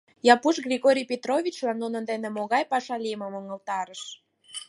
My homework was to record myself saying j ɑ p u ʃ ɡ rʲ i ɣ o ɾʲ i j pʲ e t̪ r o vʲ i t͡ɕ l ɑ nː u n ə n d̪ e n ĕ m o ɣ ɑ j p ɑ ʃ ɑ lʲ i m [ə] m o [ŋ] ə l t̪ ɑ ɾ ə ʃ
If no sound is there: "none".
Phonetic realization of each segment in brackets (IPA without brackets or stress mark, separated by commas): ə, ŋ